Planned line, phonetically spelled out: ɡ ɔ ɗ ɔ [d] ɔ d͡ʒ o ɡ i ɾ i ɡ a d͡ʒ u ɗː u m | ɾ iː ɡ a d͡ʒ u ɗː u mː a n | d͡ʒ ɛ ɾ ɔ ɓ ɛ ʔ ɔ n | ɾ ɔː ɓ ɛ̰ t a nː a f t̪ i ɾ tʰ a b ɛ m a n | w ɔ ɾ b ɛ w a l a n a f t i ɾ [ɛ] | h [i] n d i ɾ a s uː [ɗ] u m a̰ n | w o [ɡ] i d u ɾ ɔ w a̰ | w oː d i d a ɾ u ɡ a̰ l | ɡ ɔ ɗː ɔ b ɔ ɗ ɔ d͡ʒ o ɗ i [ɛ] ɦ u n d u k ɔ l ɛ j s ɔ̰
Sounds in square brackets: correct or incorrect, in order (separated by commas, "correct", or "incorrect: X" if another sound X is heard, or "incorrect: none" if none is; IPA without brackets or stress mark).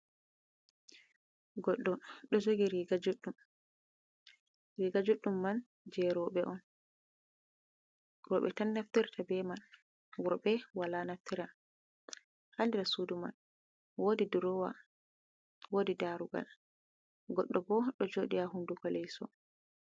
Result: incorrect: ɗ, incorrect: a, incorrect: a, incorrect: d, incorrect: d, incorrect: a